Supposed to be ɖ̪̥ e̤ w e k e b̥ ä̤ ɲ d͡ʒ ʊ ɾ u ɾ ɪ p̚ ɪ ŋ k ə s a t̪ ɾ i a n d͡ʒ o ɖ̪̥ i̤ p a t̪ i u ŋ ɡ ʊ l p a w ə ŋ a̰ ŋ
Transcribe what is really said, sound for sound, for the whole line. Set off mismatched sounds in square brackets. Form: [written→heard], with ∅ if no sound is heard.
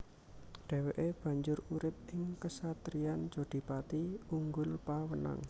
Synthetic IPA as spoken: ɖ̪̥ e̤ w e [k→ʔ] e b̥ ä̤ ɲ d͡ʒ ʊ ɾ u ɾ ɪ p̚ ɪ ŋ k ə s a t̪ ɾ i a n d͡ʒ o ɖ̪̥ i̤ p a t̪ i u ŋ ɡ ʊ l p a w ə [ŋ→n] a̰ ŋ